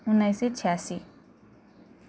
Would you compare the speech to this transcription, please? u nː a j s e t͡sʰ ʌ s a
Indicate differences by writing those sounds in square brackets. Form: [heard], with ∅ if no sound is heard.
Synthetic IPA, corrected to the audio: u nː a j s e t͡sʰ [a] s [i]